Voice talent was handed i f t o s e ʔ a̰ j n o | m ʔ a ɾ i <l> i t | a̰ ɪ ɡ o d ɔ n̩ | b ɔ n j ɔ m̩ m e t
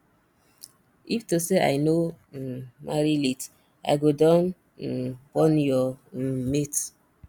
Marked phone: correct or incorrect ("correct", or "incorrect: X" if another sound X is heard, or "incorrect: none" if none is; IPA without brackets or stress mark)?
correct